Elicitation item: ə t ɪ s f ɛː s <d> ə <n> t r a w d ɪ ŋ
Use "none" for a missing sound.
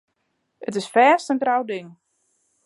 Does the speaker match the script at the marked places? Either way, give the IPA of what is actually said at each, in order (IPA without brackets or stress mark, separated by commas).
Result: t, n